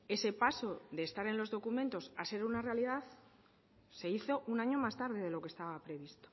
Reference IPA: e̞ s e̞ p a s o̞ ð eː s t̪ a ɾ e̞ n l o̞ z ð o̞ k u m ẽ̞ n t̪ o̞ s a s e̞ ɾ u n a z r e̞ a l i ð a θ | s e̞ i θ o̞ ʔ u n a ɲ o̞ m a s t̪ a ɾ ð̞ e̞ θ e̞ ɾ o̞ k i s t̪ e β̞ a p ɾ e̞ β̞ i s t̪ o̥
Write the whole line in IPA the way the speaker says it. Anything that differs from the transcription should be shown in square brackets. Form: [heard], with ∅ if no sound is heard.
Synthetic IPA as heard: e̞ s e̞ p a s o̞ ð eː s t̪ a ɾ e̞ n l o̞ z ð o̞ k u m ẽ̞ n t̪ o̞ s a s e̞ ɾ u n a [∅] r e̞ a l i ð a θ | s e̞ i θ o̞ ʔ u n a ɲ o̞ m a s t̪ a ɾ ð̞ e̞ [ð] e̞ [l] o̞ k [e] s t̪ [a] β̞ a p ɾ e̞ β̞ i s t̪ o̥